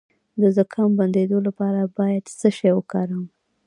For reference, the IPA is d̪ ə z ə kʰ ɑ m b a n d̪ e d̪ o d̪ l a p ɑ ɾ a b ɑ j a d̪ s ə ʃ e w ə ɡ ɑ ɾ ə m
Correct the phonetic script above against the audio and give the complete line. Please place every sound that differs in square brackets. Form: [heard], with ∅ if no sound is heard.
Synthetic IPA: d̪ ə z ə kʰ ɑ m b a n d̪ e d̪ o [∅] l a p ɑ ɾ a b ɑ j a d̪ s ə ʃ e w ə [k] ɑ ɾ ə m